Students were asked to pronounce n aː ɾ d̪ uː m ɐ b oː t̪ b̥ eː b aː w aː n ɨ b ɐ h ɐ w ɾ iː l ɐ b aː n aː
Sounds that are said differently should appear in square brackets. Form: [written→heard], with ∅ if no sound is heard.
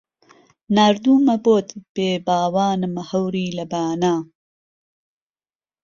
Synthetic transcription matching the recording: n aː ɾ d̪ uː m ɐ b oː t̪ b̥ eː b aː w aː n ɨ [b→m] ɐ h ɐ w ɾ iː l ɐ b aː n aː